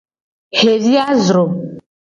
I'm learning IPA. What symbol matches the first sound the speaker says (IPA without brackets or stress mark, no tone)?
h